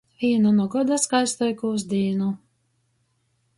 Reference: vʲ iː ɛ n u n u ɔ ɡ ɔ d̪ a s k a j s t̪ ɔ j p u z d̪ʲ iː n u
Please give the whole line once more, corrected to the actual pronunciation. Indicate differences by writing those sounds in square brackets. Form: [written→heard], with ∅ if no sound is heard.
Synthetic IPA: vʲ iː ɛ n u n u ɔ ɡ ɔ d̪ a s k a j s t̪ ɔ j [p→k] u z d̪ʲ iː n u